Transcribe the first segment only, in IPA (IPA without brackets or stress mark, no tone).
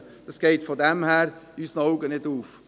d̥